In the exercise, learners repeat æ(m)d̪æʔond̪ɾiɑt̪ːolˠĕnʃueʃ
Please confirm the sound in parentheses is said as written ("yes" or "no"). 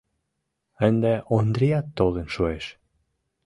no